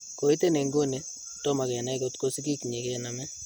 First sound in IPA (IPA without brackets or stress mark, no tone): k